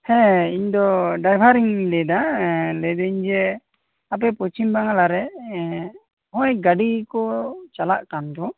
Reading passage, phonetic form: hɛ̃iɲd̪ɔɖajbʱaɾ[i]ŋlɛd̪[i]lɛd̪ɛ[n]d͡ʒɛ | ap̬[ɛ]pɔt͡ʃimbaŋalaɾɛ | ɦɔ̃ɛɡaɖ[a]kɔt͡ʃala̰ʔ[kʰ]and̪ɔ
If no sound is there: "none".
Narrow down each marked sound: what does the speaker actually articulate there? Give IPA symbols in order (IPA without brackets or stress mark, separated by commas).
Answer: i, a, ɲ, ɛ, i, k